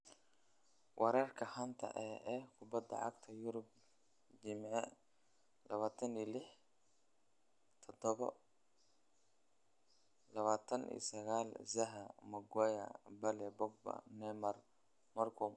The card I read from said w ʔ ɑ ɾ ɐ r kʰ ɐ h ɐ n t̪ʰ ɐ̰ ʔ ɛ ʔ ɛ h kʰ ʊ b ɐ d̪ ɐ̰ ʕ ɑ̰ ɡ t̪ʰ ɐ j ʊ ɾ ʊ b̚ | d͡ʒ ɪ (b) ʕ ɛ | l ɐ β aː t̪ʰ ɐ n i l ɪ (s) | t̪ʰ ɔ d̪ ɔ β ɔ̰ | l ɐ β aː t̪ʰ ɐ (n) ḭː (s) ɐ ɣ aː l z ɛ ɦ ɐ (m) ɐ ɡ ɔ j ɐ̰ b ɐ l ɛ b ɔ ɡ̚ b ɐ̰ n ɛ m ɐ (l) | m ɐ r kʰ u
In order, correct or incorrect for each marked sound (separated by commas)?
incorrect, incorrect, correct, correct, correct, incorrect